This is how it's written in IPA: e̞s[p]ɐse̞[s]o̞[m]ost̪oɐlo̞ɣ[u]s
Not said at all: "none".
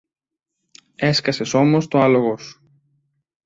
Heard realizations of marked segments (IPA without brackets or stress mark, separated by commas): k, s, m, o